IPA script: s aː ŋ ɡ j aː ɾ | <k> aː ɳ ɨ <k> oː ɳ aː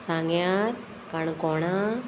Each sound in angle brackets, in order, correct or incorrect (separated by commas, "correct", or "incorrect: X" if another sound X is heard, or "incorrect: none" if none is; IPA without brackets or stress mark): correct, correct